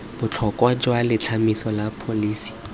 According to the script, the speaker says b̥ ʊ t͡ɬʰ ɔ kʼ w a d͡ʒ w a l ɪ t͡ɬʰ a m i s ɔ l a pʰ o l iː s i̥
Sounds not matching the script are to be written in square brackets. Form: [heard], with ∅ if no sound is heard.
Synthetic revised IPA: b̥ ʊ t͡ɬʰ ɔ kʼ w a d͡ʒ w a l ɪ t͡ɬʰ a m i s ɔ l a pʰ o l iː s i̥